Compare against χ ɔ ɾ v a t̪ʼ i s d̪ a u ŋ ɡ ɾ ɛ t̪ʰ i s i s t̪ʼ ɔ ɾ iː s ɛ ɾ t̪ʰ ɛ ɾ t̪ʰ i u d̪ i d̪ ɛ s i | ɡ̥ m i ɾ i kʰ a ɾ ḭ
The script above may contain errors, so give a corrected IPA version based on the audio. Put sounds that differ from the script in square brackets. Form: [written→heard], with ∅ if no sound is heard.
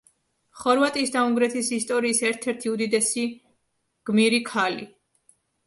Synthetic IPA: χ ɔ ɾ v a t̪ʼ i s d̪ a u ŋ ɡ ɾ ɛ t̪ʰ i s i s t̪ʼ ɔ ɾ iː s ɛ ɾ t̪ʰ ɛ ɾ t̪ʰ i u d̪ i d̪ ɛ s i | ɡ̥ m i ɾ i kʰ a [ɾ→l] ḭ